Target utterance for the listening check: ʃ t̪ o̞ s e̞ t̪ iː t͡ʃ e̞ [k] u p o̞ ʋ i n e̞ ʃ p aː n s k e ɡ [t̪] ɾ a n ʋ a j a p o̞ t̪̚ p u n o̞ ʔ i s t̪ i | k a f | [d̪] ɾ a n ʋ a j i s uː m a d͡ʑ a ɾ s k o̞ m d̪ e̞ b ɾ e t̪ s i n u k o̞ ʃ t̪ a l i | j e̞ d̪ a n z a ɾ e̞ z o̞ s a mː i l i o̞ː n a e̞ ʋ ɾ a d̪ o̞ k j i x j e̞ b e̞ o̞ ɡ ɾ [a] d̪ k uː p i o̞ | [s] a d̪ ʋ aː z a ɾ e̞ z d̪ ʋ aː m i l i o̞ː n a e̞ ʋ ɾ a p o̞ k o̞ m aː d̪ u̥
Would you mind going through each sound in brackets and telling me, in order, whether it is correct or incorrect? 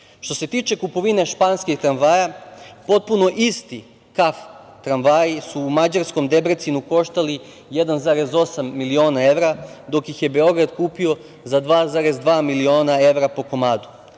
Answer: correct, correct, incorrect: t̪, correct, incorrect: z

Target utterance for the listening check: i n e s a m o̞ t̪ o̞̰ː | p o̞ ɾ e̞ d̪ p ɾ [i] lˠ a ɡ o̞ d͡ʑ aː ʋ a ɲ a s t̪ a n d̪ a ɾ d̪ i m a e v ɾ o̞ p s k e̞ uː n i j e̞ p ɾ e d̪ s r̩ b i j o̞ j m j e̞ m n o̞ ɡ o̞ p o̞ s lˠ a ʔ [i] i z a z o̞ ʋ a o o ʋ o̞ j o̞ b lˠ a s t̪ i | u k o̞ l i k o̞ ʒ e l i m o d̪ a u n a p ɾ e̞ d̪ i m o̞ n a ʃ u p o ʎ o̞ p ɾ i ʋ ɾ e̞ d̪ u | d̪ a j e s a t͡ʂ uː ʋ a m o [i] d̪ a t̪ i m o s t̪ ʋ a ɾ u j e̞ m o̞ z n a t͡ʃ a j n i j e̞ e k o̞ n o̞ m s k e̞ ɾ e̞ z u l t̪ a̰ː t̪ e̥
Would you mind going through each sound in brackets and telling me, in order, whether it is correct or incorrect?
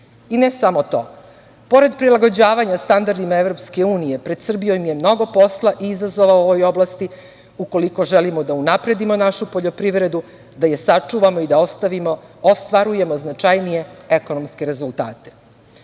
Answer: correct, correct, correct

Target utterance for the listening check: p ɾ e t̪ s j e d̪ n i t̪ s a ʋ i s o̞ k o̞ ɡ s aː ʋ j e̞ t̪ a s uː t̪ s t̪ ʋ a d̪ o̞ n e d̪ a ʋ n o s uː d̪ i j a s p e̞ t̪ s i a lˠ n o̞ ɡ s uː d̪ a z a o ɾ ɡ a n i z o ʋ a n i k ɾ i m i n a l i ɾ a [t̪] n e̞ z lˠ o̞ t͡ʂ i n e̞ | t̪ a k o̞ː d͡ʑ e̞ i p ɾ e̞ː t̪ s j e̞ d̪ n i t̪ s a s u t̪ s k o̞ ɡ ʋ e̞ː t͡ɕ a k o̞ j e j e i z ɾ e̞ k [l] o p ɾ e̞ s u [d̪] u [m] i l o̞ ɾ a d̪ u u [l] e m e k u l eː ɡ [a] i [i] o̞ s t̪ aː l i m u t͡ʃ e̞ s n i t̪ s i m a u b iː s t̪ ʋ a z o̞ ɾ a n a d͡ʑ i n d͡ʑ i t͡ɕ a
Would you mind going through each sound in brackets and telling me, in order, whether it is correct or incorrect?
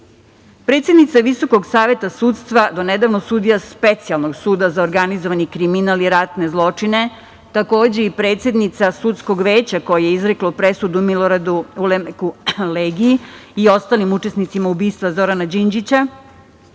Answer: correct, correct, correct, correct, correct, incorrect: i, correct

